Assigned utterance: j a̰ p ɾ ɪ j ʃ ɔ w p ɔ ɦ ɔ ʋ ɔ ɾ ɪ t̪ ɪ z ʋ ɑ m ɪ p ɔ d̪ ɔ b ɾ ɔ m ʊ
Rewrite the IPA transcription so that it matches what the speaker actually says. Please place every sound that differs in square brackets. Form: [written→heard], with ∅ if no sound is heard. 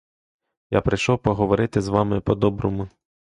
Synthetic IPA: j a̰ p ɾ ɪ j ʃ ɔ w p ɔ ɦ ɔ ʋ ɔ ɾ ɪ t̪ ɪ z ʋ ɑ m ɪ p ɔ d̪ ɔ b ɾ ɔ m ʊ